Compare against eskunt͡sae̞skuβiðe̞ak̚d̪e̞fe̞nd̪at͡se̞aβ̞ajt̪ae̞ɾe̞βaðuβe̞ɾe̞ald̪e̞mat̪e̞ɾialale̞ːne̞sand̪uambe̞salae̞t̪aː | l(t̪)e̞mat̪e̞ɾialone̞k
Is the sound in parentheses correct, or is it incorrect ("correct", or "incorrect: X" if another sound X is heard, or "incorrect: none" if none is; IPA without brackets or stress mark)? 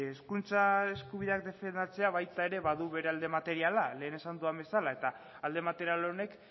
incorrect: d̪